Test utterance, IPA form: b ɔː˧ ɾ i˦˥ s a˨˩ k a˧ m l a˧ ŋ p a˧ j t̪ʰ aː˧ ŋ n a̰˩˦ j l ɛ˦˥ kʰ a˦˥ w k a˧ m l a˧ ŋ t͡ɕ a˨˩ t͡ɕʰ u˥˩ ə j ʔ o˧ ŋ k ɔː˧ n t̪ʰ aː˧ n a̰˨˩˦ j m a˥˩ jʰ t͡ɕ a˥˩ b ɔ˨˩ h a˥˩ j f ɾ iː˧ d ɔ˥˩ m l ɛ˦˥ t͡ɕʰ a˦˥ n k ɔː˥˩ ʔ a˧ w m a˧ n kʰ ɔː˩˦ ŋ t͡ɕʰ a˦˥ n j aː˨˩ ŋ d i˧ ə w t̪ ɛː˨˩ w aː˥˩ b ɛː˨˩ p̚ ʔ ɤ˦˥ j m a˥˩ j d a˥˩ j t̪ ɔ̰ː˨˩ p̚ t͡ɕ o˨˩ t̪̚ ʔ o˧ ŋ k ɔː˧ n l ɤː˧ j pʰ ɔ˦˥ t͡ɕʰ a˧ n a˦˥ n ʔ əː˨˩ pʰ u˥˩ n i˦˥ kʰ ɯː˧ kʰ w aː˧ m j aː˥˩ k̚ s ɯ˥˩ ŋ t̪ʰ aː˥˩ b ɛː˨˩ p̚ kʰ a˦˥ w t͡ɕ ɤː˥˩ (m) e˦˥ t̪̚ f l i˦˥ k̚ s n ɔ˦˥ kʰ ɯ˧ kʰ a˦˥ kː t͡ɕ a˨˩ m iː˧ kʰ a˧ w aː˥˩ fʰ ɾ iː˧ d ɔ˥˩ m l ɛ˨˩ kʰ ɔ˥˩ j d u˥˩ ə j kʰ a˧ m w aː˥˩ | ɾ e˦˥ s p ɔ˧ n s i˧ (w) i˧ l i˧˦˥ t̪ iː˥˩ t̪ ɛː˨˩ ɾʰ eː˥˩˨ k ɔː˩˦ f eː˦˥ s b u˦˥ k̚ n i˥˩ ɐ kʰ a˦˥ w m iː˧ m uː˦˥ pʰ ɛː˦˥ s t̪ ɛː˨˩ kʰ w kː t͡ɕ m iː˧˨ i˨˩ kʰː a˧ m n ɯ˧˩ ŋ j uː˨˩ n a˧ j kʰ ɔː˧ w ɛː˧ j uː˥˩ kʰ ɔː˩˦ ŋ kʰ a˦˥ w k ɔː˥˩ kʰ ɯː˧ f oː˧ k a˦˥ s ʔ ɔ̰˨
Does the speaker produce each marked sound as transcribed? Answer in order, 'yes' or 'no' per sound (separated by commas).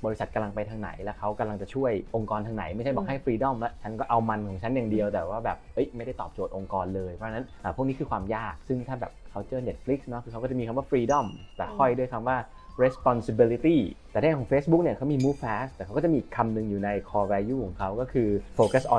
no, no